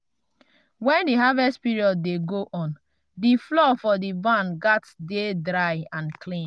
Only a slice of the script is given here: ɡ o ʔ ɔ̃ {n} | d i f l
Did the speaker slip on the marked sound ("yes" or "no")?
no